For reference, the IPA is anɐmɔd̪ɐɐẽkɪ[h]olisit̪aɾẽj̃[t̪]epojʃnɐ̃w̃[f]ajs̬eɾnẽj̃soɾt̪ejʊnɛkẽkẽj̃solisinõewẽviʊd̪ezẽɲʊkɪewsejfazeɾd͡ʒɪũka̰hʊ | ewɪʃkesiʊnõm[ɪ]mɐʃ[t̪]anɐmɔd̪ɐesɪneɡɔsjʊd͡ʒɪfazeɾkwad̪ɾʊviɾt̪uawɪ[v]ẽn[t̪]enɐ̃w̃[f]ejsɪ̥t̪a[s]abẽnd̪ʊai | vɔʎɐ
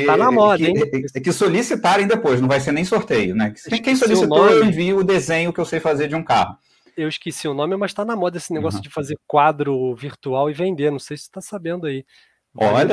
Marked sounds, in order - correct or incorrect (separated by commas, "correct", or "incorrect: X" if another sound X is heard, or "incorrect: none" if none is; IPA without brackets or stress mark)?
incorrect: s, incorrect: d̪, incorrect: v, correct, correct, correct, incorrect: d̪, incorrect: s, correct